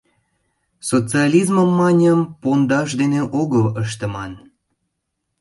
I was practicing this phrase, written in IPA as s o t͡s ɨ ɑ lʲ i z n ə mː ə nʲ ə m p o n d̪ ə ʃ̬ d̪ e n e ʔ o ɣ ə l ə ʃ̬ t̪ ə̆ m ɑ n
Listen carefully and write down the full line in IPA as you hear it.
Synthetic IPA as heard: s o t͡s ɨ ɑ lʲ i z m ə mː ɑ nʲ ə m p o n d̪ ɑ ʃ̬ d̪ e n e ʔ o ɣ ə l ə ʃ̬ t̪ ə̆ m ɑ n